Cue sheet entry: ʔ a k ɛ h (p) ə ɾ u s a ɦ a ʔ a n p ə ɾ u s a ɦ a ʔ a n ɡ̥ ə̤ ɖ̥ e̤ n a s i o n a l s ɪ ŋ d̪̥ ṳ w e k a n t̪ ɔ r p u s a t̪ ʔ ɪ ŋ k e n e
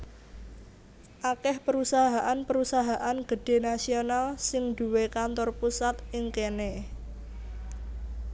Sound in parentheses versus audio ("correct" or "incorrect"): correct